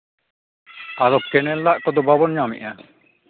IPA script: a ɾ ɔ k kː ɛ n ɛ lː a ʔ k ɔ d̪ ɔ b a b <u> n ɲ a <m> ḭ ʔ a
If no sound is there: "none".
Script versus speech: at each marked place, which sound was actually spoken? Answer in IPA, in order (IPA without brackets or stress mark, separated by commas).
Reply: ɔ, m